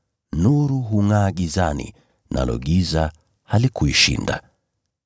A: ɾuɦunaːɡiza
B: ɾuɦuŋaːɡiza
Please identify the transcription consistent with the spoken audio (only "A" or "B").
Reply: B